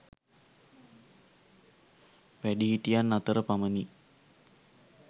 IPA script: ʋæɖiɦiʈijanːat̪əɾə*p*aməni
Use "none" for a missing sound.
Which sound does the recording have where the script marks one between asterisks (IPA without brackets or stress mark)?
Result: p